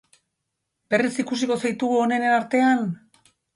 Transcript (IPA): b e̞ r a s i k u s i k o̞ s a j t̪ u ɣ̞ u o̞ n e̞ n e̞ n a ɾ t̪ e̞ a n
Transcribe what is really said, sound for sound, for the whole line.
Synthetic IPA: b e̞ r i s i k u s i k o̞ s a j t̪ u ɣ̞ u o̞ n e̞ n e̞ n a ɾ t̪ e̞ a n